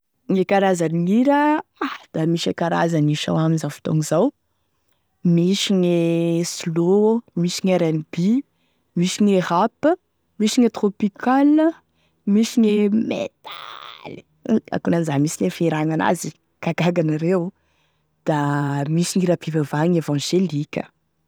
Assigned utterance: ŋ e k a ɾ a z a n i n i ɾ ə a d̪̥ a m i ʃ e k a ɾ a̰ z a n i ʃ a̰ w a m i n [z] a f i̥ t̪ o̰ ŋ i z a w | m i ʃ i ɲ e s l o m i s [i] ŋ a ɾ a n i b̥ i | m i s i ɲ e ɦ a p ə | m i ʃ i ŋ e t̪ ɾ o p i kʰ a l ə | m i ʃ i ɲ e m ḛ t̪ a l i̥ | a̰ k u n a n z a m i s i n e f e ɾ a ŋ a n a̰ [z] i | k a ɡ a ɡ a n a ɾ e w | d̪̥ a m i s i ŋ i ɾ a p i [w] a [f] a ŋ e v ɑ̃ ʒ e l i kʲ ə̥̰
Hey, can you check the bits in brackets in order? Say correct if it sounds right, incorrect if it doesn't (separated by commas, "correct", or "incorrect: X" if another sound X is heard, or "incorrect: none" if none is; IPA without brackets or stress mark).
correct, correct, correct, incorrect: v, incorrect: v